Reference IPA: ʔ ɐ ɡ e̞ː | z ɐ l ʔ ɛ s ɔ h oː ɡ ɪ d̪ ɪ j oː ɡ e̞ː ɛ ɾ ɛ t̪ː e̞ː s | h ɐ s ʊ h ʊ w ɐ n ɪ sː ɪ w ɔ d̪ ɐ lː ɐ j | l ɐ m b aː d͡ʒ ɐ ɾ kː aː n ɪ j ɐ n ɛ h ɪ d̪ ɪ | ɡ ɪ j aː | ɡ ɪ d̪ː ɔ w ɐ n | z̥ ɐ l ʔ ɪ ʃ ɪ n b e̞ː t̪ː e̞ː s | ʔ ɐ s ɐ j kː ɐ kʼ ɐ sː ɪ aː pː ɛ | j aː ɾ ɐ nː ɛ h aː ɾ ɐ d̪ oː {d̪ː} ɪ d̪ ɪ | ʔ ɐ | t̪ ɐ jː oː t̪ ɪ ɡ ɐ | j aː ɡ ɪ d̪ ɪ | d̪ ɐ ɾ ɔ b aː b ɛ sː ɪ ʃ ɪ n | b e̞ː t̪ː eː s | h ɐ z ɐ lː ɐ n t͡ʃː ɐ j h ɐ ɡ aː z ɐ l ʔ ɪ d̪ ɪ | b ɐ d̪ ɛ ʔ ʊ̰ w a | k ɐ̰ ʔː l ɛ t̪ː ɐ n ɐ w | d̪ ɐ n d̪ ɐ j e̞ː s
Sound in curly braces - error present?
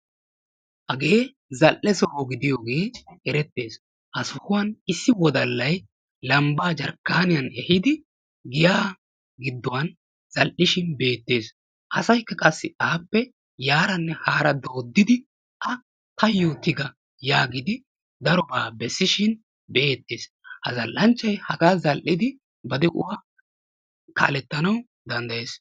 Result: no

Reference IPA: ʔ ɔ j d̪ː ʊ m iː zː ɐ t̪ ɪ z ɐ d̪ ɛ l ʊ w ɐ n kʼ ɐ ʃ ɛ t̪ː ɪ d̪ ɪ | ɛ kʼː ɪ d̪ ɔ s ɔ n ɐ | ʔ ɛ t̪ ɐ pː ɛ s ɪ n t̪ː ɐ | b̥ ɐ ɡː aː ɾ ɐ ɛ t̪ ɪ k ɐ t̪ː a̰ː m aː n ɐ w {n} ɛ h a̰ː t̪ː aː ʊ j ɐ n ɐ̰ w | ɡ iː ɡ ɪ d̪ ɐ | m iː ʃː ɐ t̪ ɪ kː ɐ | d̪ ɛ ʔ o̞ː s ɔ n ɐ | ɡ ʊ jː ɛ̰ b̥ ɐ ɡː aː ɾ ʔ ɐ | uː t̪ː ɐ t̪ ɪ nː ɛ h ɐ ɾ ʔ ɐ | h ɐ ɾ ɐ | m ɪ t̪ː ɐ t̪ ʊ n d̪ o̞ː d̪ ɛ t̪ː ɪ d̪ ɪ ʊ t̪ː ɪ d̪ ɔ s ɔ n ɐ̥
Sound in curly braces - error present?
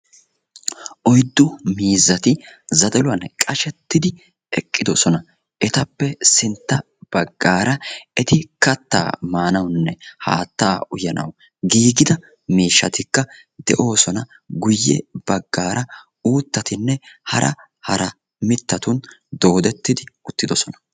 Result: yes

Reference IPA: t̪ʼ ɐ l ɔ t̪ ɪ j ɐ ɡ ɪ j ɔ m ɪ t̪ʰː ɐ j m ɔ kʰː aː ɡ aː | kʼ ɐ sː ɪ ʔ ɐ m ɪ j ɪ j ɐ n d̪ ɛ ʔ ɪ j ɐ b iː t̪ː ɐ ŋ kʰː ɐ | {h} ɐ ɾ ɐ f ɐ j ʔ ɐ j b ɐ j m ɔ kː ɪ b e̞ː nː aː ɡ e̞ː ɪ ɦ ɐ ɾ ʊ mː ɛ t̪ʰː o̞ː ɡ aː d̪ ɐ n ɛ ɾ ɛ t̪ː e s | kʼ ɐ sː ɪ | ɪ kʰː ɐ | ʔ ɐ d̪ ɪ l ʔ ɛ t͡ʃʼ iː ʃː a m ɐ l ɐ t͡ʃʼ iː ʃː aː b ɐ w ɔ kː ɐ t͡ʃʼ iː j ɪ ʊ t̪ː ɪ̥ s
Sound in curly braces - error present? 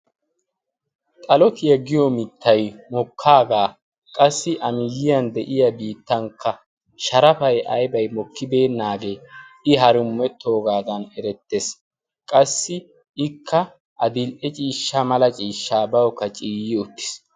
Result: yes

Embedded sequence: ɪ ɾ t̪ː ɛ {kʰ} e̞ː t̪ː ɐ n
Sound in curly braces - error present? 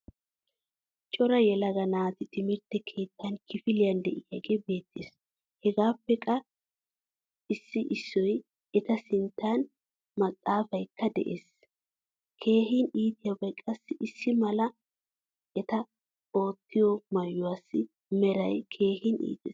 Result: no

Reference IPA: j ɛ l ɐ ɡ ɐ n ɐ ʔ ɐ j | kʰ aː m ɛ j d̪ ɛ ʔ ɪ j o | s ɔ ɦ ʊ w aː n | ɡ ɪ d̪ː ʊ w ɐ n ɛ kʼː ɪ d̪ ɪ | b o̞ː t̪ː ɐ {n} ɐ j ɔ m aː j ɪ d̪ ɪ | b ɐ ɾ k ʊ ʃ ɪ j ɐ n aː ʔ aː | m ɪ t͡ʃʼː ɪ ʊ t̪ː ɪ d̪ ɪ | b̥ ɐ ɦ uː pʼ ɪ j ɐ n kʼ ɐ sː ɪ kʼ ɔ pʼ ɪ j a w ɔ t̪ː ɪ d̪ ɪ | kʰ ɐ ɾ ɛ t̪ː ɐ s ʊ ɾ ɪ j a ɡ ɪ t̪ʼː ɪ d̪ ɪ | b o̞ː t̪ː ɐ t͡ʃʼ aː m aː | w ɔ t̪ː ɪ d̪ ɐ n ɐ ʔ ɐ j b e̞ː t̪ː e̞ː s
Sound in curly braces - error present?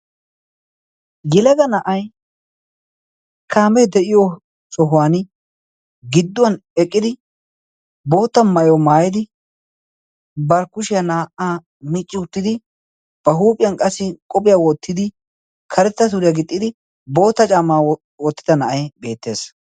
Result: yes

